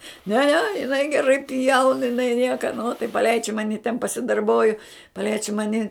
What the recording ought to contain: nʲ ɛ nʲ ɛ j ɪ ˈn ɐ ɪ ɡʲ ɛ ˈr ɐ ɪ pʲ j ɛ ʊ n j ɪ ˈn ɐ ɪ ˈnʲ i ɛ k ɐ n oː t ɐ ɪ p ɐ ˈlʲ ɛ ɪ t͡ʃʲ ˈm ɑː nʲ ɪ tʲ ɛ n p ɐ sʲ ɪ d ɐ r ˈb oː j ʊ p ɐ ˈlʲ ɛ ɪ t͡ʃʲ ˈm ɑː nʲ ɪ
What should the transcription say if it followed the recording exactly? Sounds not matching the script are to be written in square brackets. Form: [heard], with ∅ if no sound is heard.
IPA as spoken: nʲ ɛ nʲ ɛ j ɪ ˈn ɐ ɪ ɡʲ ɛ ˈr ɐ ɪ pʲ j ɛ ʊ n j ɪ ˈn ɐ ɪ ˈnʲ i ɛ k ɐ n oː t ɐ ɪ p ɐ ˈlʲ ɛ ɪ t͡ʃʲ ˈm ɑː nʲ ɪ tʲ ɛ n p ɐ sʲ ɪ d ɐ r ˈb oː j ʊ p ɐ ˈlʲ ɛ ɪ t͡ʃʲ ˈm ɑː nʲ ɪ